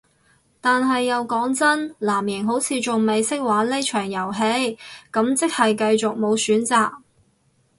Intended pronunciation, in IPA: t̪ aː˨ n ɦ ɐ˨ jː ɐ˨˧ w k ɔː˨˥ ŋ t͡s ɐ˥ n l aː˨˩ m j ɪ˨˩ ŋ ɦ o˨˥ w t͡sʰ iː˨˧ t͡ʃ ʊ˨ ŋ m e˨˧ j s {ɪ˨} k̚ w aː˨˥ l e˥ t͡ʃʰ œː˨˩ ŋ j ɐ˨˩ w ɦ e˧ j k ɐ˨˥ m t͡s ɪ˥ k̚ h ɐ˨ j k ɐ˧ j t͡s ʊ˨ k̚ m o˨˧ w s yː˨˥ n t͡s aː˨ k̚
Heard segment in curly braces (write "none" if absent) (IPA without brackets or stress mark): ɪ˥